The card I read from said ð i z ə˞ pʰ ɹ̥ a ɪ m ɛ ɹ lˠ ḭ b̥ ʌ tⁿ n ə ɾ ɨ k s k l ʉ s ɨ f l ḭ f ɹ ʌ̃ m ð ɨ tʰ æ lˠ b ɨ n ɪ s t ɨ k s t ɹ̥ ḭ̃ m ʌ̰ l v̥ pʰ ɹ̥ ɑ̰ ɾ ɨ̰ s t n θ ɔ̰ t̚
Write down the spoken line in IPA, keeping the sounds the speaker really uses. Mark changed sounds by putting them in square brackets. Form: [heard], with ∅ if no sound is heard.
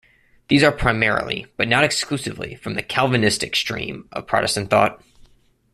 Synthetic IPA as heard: ð i z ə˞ pʰ ɹ̥ a ɪ m ɛ ɹ lˠ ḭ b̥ ʌ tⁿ n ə ɾ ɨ k s k l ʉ s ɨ [v] l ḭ f ɹ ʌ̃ m ð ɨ [kʰ] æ lˠ [v] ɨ n ɪ s t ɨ k s t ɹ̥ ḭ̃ m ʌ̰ [∅] v̥ pʰ ɹ̥ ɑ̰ ɾ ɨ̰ s t n θ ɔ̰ t̚